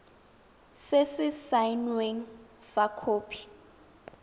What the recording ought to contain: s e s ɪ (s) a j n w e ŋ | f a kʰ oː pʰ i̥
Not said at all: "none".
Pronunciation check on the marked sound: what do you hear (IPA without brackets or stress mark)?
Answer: s